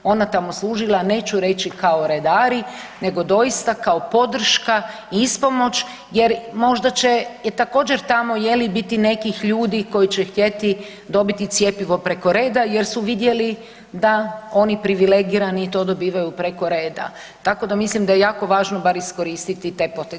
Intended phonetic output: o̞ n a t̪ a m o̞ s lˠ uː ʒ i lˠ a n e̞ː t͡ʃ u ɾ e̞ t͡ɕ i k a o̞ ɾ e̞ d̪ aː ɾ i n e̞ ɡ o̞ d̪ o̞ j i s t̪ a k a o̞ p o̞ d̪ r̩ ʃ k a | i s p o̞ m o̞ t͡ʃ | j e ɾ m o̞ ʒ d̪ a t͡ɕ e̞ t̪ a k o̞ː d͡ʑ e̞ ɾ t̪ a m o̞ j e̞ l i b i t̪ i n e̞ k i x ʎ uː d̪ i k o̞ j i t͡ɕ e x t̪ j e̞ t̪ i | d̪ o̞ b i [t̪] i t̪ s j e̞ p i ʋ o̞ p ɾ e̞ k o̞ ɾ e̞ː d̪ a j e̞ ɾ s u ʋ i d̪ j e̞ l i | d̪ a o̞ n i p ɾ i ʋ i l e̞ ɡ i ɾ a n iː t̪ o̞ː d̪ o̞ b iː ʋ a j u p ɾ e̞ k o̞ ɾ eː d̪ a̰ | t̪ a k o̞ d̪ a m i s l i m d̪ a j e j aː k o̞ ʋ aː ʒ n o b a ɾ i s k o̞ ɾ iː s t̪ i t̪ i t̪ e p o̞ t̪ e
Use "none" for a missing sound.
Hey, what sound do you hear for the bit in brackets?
t̪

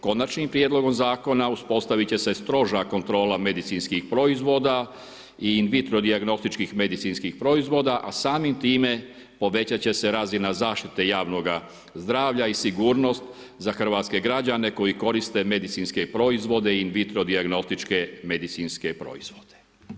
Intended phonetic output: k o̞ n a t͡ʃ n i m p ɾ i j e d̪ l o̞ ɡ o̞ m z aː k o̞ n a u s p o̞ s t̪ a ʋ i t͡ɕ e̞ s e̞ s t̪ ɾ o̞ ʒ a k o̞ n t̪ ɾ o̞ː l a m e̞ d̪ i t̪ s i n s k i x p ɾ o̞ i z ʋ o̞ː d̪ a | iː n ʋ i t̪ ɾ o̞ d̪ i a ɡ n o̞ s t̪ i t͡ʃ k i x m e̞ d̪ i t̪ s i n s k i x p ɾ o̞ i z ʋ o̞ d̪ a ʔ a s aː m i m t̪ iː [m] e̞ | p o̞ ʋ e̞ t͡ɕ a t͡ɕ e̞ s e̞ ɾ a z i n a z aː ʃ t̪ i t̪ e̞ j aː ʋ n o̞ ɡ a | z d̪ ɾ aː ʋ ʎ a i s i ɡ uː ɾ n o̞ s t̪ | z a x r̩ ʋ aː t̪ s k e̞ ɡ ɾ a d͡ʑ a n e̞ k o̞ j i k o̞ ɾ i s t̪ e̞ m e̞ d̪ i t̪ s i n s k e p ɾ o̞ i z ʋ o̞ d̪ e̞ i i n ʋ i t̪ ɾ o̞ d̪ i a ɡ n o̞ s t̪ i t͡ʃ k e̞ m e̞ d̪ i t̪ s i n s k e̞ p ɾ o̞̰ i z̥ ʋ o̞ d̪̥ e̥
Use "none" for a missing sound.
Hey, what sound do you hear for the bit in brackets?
m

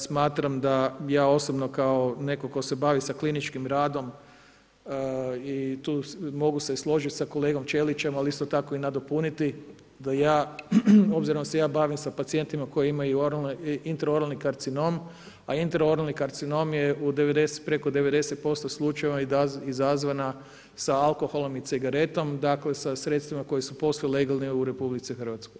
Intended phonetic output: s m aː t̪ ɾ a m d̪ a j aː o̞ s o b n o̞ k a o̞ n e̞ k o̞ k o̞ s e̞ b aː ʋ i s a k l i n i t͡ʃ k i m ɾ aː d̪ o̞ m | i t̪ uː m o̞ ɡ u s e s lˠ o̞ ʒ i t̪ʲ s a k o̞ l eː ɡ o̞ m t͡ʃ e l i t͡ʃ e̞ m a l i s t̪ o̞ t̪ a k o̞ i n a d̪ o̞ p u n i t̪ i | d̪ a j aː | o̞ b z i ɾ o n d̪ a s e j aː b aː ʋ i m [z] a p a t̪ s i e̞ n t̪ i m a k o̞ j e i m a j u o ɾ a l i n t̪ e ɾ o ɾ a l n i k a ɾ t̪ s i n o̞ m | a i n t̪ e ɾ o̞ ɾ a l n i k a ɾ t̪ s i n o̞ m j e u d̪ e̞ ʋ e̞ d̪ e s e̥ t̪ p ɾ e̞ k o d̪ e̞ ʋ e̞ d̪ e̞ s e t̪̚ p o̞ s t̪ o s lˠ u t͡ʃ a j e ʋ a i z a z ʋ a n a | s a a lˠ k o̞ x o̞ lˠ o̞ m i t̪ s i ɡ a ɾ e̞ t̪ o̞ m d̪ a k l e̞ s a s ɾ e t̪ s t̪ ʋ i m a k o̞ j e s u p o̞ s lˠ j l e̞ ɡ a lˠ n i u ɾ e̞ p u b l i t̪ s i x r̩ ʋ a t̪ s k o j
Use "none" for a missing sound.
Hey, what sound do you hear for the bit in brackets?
s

